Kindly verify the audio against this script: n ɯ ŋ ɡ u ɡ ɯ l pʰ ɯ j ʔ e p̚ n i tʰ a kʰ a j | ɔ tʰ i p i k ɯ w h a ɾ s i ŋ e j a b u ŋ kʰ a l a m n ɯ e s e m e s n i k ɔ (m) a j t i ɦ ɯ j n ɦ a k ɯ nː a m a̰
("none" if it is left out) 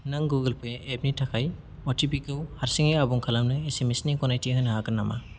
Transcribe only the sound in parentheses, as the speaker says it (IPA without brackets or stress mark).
n